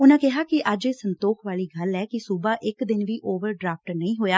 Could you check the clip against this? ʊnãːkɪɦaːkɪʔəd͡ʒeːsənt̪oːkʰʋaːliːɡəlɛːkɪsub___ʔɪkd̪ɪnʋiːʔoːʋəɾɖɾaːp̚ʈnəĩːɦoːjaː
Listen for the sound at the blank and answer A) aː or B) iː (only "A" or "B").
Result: A